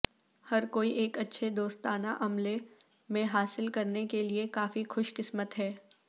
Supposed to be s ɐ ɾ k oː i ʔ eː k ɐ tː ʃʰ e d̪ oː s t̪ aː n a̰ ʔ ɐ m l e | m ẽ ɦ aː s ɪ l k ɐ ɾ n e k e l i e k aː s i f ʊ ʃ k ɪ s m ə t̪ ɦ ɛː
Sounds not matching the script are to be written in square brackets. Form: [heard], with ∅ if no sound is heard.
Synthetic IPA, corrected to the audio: [h] ɐ ɾ k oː i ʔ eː k ɐ tː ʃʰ e d̪ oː s t̪ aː n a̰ ʔ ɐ m l e | m ẽ ɦ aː s ɪ l k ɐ ɾ n e k e l i e k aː [f] i [x] ʊ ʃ k ɪ s m ə t̪ ɦ ɛː